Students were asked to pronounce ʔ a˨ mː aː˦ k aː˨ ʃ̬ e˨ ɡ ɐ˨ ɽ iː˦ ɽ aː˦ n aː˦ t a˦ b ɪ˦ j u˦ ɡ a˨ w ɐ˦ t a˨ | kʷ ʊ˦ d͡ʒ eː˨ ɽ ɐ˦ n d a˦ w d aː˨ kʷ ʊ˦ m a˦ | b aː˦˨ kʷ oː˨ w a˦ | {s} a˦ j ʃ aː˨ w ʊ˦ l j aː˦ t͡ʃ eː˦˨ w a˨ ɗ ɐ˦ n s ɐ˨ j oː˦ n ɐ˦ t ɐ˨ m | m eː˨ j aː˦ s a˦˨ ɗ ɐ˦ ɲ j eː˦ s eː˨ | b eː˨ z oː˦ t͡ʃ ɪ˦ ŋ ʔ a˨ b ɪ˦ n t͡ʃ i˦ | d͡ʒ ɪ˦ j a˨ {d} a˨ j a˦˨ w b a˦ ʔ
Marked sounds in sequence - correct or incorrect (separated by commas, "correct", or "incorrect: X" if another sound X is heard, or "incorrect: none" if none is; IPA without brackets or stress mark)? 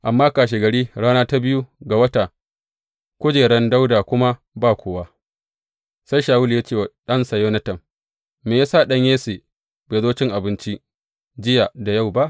correct, correct